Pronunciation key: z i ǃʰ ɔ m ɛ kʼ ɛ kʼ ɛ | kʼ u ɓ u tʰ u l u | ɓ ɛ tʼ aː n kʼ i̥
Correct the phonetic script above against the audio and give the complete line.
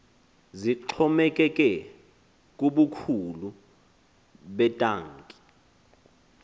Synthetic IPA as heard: z i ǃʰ ɔ m ɛ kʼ ɛ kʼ ɛ | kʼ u ɓ u kʰ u l u | ɓ ɛ tʼ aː ŋ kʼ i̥